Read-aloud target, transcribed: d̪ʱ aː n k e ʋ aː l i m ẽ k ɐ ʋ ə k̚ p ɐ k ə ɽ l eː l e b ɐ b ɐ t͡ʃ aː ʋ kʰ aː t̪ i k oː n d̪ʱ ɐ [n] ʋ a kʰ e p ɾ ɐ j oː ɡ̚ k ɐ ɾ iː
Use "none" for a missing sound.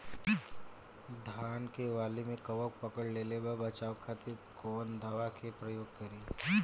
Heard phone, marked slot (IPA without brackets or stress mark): none